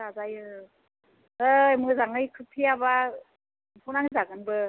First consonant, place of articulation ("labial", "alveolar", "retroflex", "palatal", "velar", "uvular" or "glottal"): alveolar